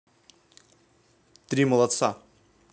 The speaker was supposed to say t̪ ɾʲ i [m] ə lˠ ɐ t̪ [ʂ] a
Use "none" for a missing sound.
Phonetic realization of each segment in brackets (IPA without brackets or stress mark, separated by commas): m, s